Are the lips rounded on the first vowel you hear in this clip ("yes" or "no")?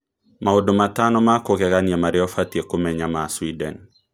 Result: no